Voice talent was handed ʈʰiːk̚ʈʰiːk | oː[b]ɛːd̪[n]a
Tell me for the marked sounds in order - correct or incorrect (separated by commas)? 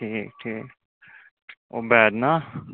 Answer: correct, correct